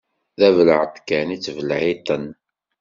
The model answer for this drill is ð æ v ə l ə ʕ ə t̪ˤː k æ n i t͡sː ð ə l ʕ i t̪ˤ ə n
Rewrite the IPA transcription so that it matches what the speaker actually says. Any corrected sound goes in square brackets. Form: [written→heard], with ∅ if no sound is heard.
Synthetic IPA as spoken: ð æ v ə l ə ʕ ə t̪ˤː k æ n i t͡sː [ð→v] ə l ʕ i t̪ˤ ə n